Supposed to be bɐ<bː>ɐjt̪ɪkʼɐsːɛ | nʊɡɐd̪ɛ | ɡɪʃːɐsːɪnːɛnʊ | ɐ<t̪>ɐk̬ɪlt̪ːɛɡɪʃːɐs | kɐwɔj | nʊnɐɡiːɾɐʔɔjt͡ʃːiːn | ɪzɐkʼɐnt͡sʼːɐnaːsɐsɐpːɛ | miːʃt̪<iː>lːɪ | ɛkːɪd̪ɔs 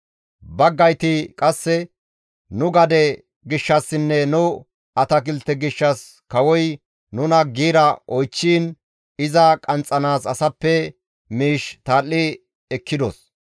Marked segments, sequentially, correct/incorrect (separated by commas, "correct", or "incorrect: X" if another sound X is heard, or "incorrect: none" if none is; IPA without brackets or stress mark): incorrect: ɡː, correct, incorrect: aː